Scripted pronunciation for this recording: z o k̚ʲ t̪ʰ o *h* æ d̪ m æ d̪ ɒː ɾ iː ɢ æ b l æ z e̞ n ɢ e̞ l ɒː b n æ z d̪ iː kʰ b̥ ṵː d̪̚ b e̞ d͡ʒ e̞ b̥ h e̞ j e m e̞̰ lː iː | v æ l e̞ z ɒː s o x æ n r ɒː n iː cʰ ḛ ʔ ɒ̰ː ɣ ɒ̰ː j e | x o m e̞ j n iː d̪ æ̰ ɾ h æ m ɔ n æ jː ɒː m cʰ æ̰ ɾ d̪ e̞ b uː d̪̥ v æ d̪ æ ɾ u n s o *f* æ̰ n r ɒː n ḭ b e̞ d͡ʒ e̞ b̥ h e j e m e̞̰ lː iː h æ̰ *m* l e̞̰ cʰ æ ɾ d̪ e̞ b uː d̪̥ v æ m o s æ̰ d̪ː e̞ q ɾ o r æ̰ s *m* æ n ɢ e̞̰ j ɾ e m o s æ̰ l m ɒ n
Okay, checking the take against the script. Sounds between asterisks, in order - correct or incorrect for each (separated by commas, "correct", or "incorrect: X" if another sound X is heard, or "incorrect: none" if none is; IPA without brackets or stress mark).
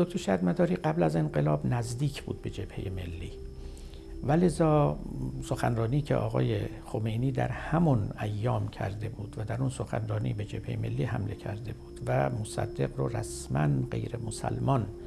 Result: incorrect: ʃ, incorrect: x, correct, correct